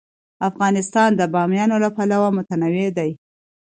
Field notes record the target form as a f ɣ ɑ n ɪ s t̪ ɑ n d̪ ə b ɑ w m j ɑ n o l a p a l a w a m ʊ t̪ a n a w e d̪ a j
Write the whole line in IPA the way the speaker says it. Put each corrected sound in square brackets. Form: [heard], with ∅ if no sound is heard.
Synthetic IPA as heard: a f ɣ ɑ n ɪ s t̪ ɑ n d̪ ə b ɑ [∅] m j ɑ n o l a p a l a w a m ʊ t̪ a n a w e d̪ a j